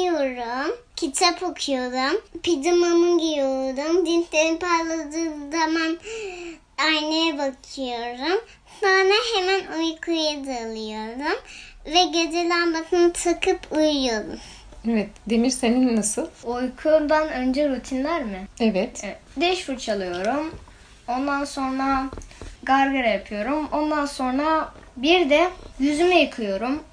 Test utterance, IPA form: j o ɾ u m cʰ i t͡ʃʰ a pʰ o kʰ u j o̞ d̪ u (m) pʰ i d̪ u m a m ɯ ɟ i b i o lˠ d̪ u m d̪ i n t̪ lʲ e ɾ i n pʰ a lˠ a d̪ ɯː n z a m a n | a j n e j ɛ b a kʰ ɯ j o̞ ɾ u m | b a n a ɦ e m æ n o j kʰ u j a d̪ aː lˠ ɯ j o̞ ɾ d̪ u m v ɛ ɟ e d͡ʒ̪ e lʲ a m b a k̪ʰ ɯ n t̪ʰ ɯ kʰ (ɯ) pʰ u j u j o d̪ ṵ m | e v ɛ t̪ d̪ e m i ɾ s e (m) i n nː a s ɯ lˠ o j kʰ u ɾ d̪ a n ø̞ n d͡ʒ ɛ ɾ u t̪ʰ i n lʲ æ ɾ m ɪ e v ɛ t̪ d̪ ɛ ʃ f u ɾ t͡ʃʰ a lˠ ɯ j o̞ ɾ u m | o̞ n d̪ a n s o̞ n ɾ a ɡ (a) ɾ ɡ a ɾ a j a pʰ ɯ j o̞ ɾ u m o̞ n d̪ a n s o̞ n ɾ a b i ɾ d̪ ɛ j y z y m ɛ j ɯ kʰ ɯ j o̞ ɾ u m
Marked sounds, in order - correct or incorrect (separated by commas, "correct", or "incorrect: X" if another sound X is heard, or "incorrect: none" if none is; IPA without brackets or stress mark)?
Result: correct, correct, incorrect: n, correct